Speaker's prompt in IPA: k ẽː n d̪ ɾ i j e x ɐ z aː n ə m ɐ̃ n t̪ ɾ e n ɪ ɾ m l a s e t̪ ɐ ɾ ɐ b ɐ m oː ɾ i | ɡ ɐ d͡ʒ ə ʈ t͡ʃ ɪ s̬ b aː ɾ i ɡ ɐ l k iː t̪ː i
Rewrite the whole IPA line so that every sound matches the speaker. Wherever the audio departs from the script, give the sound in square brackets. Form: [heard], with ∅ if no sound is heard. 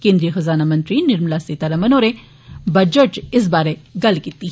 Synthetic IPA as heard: k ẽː n d̪ ɾ i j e x ɐ z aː n [a] m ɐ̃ n t̪ ɾ [i] n ɪ ɾ m l a s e t̪ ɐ ɾ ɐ [m] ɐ [n] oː ɾ [e] | [b] ɐ d͡ʒ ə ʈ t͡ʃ ɪ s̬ b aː ɾ [e] ɡ ɐ l k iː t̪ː i

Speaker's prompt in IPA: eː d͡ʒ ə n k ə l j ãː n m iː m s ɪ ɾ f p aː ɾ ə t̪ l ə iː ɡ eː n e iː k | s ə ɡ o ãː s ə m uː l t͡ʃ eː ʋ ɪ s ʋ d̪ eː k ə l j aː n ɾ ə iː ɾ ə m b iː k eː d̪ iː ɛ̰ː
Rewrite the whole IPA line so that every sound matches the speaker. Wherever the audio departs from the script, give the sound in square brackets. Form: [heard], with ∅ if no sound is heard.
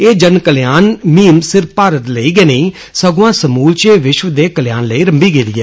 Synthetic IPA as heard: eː d͡ʒ ə n k ə l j [aː] n m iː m s ɪ ɾ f p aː ɾ ə t̪ l ə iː ɡ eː n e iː [∅] | s ə ɡ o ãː s ə m uː l t͡ʃ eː ʋ ɪ [ʃ] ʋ d̪ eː k ə l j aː n [l] ə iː ɾ ə m b iː [ɡ] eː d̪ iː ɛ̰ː

